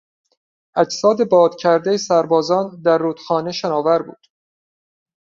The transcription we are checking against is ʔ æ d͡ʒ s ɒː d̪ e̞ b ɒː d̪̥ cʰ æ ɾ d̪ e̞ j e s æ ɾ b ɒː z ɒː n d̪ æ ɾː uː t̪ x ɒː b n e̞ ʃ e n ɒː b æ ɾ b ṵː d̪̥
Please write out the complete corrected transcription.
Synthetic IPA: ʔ æ d͡ʒ s ɒː d̪ e̞ b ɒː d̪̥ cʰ æ ɾ d̪ e̞ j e s æ ɾ b ɒː z ɒː n d̪ æ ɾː uː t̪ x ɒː n e̞ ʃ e n ɒː v æ ɾ b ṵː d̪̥